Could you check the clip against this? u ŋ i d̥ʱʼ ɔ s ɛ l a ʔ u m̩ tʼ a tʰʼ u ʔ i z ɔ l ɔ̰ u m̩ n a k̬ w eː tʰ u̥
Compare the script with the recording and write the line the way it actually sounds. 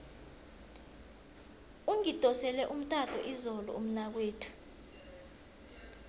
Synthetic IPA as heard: u ŋ i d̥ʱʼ ɔ s ɛ l ɛ ʔ u m̩ tʼ a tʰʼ ɔ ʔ i z ɔ l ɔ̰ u m̩ n a k̬ w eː tʰ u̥